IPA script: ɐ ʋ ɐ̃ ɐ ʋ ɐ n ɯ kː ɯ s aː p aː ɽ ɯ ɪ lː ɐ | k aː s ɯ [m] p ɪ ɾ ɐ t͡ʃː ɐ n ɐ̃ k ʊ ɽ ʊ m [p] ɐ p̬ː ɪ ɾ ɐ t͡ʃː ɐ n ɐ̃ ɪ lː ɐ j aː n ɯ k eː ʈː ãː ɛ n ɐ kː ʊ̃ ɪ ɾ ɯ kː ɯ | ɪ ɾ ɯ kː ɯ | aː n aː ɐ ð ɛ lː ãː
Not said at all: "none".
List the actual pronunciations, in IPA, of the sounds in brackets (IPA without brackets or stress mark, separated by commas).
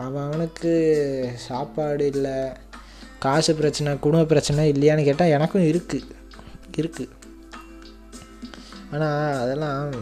none, b